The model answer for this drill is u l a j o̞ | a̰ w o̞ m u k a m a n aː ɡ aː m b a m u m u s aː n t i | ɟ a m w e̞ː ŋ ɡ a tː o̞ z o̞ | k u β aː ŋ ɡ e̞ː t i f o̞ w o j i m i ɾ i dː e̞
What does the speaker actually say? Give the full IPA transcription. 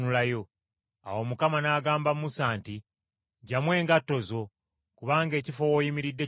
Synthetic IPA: u l a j o̞ | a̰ w o̞ m u k a m a n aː ɡ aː m b a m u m u s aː n t i | ɟ a m w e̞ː ŋ ɡ a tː o̞ z o̞ | k u β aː ŋ ɡ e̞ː c i f o̞ w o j i m i ɾ i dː e̞